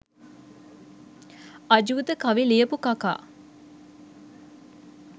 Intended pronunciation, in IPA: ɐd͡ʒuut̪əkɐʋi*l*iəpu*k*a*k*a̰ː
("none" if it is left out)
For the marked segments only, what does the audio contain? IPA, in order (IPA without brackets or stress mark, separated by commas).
l, k, k